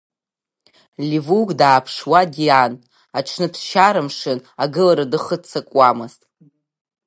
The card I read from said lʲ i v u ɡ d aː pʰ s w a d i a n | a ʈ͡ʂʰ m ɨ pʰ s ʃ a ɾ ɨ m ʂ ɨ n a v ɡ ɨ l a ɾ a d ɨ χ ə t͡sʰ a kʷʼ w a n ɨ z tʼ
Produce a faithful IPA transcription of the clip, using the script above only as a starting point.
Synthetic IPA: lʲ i v u ɡ d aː pʰ ʂ w a d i a n | a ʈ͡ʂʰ n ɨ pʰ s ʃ a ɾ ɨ m ʂ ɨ n a ɡ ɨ l a ɾ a d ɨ χ ə t͡sʰ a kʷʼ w a m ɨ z tʼ